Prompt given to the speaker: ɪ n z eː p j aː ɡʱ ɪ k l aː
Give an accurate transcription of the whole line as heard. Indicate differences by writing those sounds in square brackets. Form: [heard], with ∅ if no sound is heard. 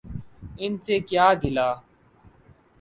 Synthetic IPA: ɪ n [s] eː [k] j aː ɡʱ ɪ [∅] l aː